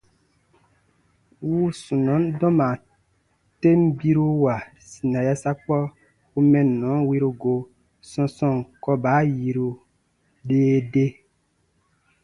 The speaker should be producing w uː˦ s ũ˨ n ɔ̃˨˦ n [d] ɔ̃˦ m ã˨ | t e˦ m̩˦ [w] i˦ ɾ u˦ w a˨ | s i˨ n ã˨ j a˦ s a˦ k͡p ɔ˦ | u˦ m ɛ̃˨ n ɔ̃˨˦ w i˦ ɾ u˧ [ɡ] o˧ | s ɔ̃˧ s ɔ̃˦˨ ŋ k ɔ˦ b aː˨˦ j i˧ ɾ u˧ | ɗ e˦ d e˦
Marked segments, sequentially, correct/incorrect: correct, incorrect: b, correct

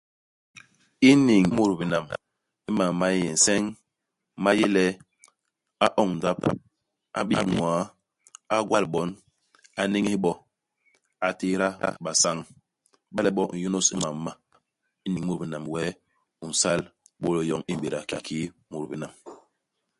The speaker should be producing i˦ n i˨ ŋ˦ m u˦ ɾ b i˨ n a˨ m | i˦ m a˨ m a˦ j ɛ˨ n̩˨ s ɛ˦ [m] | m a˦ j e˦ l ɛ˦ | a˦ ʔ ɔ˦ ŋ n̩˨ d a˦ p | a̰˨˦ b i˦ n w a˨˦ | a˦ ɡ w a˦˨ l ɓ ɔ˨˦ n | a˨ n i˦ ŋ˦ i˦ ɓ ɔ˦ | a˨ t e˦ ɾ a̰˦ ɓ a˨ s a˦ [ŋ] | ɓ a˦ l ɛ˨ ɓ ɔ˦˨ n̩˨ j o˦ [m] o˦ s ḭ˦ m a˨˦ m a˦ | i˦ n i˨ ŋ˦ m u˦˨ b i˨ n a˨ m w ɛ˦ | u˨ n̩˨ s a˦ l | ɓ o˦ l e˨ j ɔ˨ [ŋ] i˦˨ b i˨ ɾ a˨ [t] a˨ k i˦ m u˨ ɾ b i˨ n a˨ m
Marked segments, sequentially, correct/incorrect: incorrect: ŋ, correct, incorrect: n, correct, incorrect: k

